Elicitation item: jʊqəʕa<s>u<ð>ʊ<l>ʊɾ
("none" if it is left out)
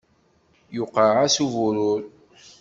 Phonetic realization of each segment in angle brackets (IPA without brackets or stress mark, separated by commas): s, v, ɾ